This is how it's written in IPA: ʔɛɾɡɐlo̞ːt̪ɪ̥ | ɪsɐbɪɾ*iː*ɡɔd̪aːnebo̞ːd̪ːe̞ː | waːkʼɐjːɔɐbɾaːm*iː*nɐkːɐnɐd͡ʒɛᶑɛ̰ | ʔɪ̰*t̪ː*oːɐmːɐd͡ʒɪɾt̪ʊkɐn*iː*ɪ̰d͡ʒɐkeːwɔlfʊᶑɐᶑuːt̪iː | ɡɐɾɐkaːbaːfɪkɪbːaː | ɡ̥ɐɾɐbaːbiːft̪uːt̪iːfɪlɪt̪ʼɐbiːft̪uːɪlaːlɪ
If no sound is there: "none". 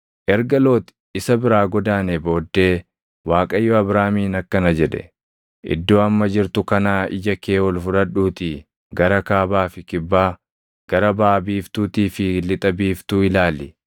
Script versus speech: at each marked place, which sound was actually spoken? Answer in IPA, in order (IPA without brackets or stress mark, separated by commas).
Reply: aː, iː, d̪ː, aː